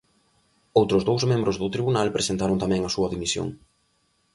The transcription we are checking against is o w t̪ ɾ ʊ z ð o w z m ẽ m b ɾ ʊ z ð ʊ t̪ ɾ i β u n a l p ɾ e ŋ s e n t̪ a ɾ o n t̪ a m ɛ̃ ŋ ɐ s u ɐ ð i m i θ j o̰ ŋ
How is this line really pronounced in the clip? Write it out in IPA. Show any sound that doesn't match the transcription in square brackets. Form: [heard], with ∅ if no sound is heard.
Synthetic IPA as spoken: o w t̪ ɾ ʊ z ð o w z m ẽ m b ɾ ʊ z ð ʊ t̪ ɾ i β u n a l p ɾ e [∅] s e n t̪ a ɾ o n t̪ a m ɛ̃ ŋ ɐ s u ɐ ð i m i [s] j o̰ ŋ